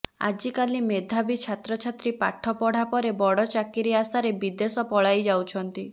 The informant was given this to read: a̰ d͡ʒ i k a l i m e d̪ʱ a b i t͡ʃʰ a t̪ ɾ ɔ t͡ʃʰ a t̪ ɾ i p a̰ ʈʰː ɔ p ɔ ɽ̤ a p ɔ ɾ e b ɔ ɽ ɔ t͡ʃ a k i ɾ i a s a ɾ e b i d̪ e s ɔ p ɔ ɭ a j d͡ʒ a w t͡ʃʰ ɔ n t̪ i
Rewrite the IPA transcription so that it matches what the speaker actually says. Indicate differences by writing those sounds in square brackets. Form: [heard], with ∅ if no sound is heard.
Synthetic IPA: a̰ d͡ʒ i k a l i m e d̪ʱ a b i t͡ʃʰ a t̪ ɾ ɔ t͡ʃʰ a t̪ ɾ i p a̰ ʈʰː ɔ p ɔ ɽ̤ a p ɔ ɾ e b ɔ ɽ ɔ t͡ʃ a k i ɾ i a s a ɾ e b i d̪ e s ɔ p ɔ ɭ a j d͡ʒ a w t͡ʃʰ ɔ n t̪ i